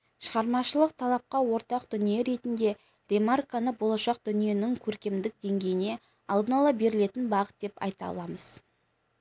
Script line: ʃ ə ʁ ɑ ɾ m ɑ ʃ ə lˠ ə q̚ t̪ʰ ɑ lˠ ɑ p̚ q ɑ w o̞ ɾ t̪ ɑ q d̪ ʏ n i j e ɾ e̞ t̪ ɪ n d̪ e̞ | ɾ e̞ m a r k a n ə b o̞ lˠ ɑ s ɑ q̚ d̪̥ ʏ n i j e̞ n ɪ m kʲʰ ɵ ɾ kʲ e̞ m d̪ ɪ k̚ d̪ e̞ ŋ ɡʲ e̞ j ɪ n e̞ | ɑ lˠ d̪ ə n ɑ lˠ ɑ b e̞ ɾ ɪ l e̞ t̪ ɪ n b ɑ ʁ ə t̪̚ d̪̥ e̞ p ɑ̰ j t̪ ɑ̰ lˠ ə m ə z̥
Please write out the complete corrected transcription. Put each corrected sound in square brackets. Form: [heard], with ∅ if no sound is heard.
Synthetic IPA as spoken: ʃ ə ʁ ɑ ɾ m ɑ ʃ ə lˠ ə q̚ t̪ʰ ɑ lˠ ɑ p̚ q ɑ w o̞ ɾ t̪ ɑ q d̪ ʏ n i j e ɾ e̞ t̪ ɪ n d̪ e̞ | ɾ e̞ m a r k a n ə b o̞ lˠ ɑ [ʃ] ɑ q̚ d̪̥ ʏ n i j e̞ n ɪ [ŋ] kʲʰ ɵ ɾ kʲ e̞ m d̪ ɪ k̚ d̪ e̞ ŋ ɡʲ e̞ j ɪ n e̞ | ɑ lˠ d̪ ə n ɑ lˠ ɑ b e̞ ɾ ɪ l e̞ t̪ ɪ n b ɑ ʁ ə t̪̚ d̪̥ e̞ p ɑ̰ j t̪ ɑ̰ lˠ [ɑ] m ə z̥